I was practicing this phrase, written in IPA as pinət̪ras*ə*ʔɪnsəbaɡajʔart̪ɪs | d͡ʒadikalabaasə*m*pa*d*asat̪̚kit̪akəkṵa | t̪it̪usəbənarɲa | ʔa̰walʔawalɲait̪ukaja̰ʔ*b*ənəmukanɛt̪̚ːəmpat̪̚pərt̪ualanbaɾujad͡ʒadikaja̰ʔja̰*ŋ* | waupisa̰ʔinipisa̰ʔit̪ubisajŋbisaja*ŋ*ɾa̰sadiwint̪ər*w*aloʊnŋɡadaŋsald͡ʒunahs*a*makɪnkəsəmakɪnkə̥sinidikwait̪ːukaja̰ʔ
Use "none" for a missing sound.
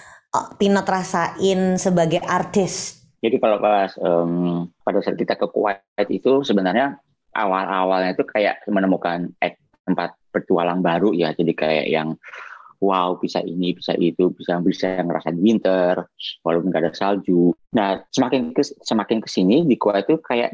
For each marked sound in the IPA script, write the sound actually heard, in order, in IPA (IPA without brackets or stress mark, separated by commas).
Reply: a, m, d, m, ŋ, ŋ, w, ə